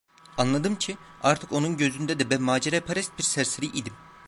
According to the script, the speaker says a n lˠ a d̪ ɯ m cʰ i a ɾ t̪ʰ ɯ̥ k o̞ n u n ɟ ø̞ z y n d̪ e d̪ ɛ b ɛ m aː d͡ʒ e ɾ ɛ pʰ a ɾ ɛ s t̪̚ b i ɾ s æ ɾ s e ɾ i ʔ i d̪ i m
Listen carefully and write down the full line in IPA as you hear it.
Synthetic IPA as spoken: a n lˠ a d̪ ɯ m cʰ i a ɾ t̪ʰ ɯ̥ k o̞ n u n ɟ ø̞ z y n d̪ ɛ d̪ ɛ b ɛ m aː d͡ʒ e ɾ ɛ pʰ a ɾ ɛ s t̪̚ b i ɾ s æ ɾ s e ɾ i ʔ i d̪ i m